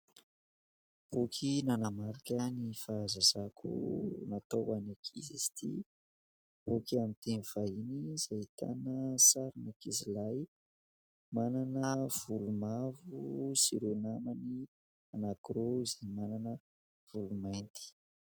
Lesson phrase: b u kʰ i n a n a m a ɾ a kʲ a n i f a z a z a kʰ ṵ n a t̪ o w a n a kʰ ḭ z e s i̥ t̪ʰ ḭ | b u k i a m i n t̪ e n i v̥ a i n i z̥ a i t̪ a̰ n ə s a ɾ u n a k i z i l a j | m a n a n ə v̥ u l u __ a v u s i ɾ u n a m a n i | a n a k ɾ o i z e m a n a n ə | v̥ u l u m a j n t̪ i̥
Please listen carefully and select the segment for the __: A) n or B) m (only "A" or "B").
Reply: B